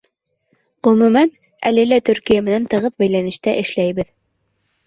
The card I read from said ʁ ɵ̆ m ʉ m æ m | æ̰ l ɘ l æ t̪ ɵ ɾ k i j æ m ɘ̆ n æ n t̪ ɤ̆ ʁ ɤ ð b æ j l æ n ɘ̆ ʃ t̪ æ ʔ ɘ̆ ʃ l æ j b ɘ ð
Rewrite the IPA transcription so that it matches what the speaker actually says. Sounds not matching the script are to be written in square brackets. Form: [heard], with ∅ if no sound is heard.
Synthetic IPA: ʁ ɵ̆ m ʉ m æ [n] | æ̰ l ɘ l æ t̪ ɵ ɾ k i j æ m ɘ̆ n æ n t̪ ɤ̆ ʁ ɤ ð b æ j l æ n ɘ̆ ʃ t̪ æ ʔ ɘ̆ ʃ l æ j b ɘ ð